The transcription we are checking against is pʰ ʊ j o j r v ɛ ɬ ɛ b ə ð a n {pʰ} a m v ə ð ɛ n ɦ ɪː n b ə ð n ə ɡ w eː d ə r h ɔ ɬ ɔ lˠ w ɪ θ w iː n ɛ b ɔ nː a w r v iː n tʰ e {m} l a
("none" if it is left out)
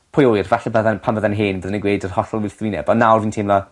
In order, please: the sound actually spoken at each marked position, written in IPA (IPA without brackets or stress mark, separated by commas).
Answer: pʰ, m